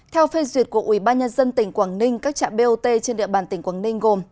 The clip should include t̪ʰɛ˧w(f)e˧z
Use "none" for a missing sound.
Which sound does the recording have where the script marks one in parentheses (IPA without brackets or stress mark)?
f